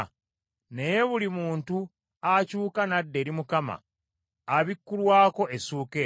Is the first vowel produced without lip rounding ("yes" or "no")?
yes